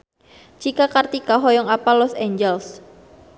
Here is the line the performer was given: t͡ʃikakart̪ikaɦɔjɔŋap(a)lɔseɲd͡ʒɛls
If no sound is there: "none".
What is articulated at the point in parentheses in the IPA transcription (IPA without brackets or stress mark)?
a